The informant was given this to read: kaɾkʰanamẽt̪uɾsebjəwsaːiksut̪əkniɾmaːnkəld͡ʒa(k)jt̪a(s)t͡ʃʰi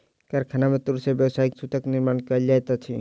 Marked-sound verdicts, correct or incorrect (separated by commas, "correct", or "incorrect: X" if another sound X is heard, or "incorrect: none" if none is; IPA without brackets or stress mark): incorrect: none, incorrect: none